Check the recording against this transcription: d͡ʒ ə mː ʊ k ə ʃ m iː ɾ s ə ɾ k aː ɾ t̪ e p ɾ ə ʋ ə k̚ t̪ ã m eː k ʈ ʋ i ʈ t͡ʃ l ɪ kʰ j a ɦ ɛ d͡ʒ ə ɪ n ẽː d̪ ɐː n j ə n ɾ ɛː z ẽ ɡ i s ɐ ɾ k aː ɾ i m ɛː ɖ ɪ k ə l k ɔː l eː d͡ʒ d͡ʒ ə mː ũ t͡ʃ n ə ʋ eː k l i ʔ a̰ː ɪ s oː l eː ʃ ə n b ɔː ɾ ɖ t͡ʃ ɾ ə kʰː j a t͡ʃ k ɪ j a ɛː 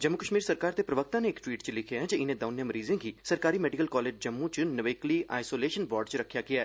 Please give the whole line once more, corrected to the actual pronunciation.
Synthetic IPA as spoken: d͡ʒ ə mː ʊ k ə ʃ m iː ɾ s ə ɾ k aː ɾ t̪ e p ɾ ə ʋ ə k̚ t̪ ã n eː k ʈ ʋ iː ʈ t͡ʃ l ɪ kʰ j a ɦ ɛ d͡ʒ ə ɪ n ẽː d̪ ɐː n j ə m ɾ iː z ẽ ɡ i s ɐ ɾ k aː ɾ i m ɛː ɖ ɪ k ə l k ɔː l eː d͡ʒ d͡ʒ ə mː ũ t͡ʃ n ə ʋ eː k l i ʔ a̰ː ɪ s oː l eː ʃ ə n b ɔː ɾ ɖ t͡ʃ ɾ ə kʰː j a k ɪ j a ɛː

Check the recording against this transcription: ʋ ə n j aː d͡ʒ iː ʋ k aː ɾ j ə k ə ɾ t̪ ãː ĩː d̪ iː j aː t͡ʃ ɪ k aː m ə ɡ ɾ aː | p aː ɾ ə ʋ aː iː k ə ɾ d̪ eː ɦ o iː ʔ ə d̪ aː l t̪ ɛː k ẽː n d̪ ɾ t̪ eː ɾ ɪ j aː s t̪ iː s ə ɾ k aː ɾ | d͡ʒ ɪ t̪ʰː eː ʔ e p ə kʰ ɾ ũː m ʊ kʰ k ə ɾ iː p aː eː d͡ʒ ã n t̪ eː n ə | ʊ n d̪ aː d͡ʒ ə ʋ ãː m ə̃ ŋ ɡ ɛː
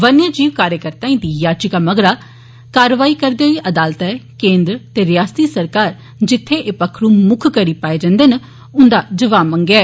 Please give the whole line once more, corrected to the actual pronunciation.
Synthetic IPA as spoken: ʋ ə n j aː d͡ʒ iː ʋ k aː ɾ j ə k ə ɾ t̪ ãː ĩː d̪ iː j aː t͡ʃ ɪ k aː m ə ɡ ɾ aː | k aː ɾ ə ʋ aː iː k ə ɾ d̪ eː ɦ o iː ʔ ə d̪ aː l t̪ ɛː k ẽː n d̪ ɾ t̪ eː ɾ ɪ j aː s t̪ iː s ə ɾ k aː ɾ | d͡ʒ ɪ t̪ʰː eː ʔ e p ə kʰ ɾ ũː m ʊ kʰ k ə ɾ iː p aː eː d͡ʒ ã n d̪ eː n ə | ʊ n d̪ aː d͡ʒ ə ʋ aː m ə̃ ŋ ɡ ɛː

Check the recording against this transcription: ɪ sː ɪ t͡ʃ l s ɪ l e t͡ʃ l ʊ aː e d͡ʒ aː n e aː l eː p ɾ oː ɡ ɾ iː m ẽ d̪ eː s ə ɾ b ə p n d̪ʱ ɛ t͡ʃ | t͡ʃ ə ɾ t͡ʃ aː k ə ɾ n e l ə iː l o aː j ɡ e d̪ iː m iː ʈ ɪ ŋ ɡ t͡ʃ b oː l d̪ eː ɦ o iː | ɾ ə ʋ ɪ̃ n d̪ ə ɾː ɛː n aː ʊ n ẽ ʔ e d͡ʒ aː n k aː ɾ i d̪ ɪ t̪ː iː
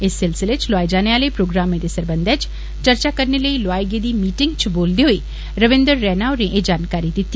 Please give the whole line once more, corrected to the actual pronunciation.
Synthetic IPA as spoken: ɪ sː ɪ l s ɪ l e t͡ʃ l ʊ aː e d͡ʒ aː n e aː l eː p ɾ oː ɡ ɾ aː m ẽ d̪ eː s ə ɾ b ə n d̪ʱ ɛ t͡ʃ | t͡ʃ ə ɾ t͡ʃ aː k ə ɾ n e l ə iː l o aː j ɡ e d̪ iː m iː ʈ ɪ ŋ ɡ t͡ʃ b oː l d̪ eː ɦ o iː | ɾ ə ʋ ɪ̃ n d̪ ə ɾː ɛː n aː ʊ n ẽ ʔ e d͡ʒ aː n k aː ɾ i d̪ ɪ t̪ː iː

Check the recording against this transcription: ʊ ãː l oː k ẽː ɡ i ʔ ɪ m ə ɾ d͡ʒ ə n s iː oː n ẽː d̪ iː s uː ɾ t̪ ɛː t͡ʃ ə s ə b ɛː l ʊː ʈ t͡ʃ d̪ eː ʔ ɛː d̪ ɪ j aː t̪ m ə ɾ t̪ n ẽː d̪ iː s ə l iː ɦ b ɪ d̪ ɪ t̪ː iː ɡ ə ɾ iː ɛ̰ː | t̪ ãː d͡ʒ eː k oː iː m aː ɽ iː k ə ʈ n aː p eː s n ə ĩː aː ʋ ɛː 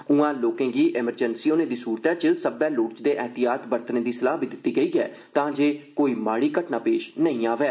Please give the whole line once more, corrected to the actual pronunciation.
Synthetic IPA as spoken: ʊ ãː l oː k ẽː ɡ iː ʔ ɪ m ə ɾ d͡ʒ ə n s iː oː n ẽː d̪ iː s uː ɾ t̪ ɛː t͡ʃ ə s ə b ɛː l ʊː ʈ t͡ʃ d̪ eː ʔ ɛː t̪ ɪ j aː t̪ b ə ɾ t̪ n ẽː d̪ iː s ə l aː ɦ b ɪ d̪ ɪ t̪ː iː ɡ ə iː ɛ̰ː | t̪ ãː d͡ʒ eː k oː iː m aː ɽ iː k ə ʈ n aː p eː ʃ n ə ĩː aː ʋ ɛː

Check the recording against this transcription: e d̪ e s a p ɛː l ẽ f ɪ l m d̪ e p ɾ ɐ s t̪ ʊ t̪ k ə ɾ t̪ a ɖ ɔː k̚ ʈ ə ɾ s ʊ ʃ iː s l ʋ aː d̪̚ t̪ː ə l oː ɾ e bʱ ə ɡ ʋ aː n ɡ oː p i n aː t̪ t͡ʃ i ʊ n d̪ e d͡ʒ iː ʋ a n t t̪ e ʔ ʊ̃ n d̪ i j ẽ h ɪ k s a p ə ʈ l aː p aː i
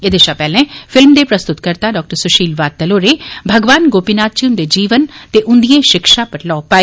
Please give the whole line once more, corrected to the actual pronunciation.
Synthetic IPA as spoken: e d̪ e ʃ a p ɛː l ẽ f ɪ l m d̪ e p ɾ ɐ s t̪ ʊ t̪ k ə ɾ t̪ a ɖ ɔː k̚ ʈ ə ɾ s ʊ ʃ iː l ʋ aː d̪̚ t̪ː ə l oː ɾ e bʱ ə ɡ ʋ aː n ɡ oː p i n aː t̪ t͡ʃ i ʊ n d̪ e d͡ʒ iː ʋ ə n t t̪ e ʔ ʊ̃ n d̪ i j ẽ ʃ ɪ k ʃ a p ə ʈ l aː p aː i

